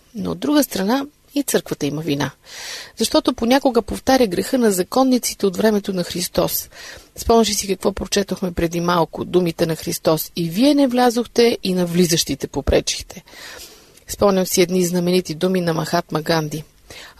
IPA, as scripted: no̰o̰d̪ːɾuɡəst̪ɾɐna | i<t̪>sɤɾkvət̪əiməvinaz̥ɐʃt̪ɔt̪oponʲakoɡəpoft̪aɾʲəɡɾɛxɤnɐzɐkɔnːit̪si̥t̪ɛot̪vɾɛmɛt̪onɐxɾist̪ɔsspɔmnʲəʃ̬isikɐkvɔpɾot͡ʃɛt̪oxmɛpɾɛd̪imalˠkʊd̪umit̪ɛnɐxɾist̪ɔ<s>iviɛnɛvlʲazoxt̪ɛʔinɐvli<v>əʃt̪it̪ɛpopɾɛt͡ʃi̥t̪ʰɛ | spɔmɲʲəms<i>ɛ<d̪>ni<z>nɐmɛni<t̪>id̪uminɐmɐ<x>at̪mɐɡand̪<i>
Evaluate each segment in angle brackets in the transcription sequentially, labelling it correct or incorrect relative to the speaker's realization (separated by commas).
correct, correct, incorrect, correct, correct, correct, correct, correct, correct